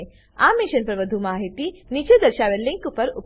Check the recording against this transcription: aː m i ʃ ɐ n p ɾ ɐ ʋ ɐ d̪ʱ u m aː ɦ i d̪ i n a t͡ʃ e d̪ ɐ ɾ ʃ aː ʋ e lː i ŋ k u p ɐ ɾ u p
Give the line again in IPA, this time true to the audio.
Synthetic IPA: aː m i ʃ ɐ n p ɾ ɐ ʋ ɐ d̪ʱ u m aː ɦ i t̪ i n i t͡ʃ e d̪ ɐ ɾ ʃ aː ʋ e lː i ŋ k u p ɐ ɾ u p